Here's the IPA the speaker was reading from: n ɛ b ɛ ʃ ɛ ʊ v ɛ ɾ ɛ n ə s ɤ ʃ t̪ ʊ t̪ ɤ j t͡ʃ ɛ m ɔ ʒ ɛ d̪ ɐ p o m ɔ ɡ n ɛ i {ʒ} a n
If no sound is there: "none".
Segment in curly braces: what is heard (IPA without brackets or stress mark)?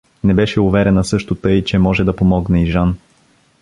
ʒ